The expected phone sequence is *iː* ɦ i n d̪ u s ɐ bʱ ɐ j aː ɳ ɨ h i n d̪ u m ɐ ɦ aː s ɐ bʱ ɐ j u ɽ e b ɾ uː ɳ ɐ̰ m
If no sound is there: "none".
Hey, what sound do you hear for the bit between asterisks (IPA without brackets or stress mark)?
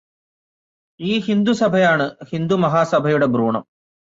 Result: iː